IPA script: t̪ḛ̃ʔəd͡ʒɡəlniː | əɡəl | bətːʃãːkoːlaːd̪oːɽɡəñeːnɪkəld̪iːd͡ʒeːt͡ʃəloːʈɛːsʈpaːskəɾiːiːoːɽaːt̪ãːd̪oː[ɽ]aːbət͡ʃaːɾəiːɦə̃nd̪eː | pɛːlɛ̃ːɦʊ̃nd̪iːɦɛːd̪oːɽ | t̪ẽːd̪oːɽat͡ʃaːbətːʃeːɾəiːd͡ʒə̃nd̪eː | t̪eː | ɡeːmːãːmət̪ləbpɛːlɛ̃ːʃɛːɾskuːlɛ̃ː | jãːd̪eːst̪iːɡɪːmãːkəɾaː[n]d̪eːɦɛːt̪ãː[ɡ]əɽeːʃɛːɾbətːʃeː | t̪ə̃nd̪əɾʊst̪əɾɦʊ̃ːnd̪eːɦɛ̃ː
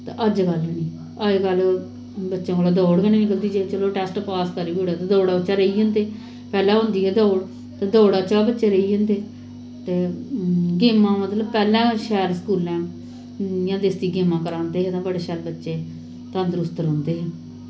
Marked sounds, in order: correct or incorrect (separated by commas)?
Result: correct, correct, incorrect